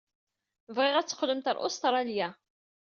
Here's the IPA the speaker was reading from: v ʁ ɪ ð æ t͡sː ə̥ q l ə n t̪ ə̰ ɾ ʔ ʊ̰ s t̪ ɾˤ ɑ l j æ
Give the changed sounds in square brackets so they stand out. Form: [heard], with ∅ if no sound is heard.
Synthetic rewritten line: v ʁ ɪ [ʁ] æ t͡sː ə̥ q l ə [m] t̪ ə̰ ɾ ʔ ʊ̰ s t̪ ɾˤ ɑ l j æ